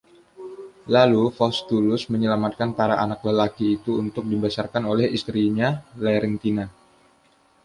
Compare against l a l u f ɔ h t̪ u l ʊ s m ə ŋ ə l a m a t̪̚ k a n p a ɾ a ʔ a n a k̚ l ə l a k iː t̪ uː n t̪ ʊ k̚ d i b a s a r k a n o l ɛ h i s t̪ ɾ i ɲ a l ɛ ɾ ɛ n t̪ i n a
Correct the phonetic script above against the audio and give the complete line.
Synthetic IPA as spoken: l a l u f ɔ s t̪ u l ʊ s m ə ɲ ə l a m a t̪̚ k a n p a ɾ a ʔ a n a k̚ l ə l a k iː t̪ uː n t̪ ʊ k̚ d i b a s a r k a n o l ɛ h i s t̪ ɾ i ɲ a l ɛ ɾ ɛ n t̪ i n a